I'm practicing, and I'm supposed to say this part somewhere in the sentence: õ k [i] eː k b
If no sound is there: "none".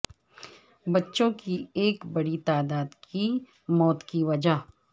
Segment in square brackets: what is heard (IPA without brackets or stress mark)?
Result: i